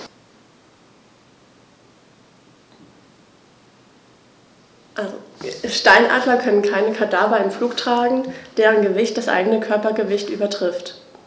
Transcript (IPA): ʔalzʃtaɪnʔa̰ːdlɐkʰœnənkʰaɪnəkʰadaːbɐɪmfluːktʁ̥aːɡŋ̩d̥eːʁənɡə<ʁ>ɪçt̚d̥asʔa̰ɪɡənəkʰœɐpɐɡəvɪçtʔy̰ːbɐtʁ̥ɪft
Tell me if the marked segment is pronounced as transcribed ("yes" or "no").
no